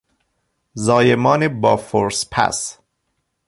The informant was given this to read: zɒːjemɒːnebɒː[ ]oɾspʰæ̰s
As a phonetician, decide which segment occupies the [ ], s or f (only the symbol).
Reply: f